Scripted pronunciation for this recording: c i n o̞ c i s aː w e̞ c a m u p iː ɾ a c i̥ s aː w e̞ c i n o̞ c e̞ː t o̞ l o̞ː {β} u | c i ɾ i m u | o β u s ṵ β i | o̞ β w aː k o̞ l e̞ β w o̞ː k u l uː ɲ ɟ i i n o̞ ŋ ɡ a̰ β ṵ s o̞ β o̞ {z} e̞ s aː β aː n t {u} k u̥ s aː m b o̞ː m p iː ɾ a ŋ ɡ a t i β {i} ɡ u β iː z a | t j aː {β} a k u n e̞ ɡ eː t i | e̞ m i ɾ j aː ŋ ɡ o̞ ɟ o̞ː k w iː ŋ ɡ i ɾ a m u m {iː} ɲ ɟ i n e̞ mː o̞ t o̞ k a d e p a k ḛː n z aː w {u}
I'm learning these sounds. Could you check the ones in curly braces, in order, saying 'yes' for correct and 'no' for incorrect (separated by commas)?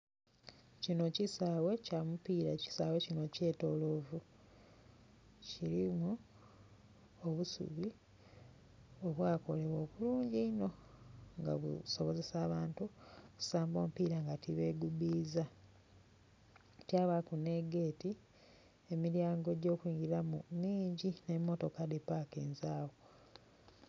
no, yes, yes, no, yes, yes, no